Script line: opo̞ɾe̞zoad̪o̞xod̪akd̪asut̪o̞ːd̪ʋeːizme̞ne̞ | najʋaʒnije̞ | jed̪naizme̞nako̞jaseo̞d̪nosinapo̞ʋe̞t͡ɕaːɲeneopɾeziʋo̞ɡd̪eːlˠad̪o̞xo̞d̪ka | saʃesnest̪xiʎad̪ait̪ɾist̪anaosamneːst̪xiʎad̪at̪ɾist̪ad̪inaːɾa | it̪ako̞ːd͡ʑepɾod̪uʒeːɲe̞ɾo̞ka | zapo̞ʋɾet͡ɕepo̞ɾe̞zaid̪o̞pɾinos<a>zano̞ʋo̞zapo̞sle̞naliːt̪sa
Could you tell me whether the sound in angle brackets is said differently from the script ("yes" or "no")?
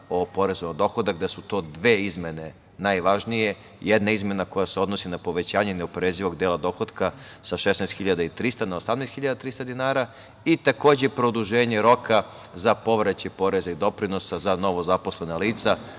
no